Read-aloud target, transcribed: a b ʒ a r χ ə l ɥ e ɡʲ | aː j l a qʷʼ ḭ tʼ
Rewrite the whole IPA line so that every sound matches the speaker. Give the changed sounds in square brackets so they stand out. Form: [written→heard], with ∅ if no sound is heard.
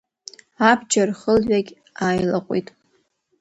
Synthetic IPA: a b [ʒ→d͡ʒ] a r χ ə l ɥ [e→a] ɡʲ | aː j l a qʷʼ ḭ tʼ

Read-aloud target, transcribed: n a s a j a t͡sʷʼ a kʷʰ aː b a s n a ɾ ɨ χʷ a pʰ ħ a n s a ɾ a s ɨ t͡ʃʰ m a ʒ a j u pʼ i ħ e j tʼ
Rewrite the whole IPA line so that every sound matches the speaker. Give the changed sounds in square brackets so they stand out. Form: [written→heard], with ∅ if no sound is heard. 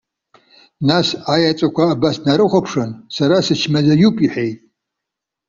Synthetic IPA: n a s a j a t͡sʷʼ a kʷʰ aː b a s n a ɾ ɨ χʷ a pʰ [ħ→ʂ] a n s a ɾ a s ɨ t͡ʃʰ m a [ʒ→z] a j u pʼ i ħ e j tʼ

